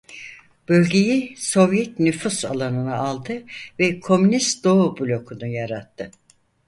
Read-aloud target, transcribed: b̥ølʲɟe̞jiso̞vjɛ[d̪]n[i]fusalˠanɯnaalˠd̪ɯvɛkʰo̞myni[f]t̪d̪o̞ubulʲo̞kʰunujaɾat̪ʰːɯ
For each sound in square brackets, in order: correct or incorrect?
incorrect: t̪, incorrect: y, incorrect: s

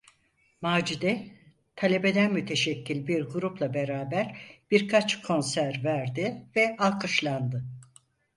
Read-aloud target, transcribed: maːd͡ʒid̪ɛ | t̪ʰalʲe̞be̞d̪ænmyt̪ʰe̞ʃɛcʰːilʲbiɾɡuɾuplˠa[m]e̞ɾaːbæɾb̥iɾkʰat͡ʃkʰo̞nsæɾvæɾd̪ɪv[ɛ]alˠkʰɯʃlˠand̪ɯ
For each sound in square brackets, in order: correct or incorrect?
incorrect: b, correct

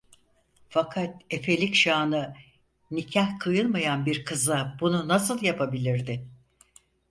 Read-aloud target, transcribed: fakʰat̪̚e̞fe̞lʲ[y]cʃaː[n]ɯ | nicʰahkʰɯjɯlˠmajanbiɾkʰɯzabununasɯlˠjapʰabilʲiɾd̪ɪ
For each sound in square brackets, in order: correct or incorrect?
incorrect: i, correct

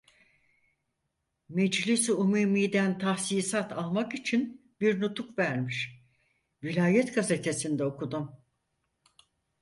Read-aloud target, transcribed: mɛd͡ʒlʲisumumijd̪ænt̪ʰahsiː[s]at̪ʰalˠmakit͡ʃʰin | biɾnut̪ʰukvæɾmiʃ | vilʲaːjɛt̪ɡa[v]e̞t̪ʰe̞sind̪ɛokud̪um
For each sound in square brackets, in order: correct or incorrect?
correct, incorrect: z

